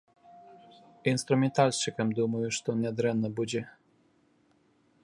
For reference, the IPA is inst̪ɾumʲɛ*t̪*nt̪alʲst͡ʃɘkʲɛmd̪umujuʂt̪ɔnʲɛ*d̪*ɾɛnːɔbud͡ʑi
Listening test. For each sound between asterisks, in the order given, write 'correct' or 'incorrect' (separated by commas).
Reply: incorrect, correct